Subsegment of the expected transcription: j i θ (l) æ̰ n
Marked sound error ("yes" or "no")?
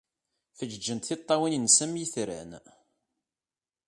yes